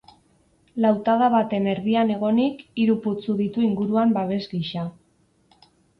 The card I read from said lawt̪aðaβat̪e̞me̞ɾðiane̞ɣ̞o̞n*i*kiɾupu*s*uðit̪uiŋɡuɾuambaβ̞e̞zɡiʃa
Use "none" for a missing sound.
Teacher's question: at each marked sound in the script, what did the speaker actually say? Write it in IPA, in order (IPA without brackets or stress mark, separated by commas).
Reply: i, t͡s